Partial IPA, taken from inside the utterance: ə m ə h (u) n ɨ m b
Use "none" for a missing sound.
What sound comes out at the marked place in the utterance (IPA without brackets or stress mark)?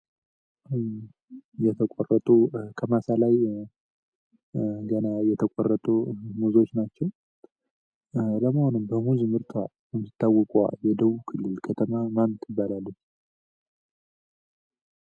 o